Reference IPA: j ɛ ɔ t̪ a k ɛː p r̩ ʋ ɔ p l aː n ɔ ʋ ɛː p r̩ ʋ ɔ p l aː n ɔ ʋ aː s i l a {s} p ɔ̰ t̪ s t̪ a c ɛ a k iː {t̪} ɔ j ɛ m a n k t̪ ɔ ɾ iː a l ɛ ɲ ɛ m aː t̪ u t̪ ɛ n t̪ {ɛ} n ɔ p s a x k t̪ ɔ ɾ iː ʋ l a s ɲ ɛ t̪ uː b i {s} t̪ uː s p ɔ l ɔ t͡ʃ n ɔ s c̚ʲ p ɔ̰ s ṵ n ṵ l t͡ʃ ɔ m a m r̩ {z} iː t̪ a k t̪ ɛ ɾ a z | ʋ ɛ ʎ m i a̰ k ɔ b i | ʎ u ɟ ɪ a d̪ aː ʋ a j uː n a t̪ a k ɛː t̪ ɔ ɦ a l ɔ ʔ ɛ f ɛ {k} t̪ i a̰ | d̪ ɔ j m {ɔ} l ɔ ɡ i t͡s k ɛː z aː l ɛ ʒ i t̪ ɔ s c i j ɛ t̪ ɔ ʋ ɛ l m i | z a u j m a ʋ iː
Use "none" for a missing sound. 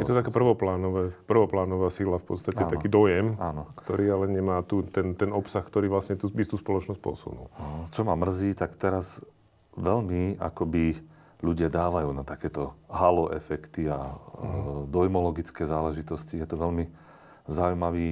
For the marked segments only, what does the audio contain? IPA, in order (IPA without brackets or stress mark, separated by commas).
f, d̪, ɛ, s, z, k, ɔ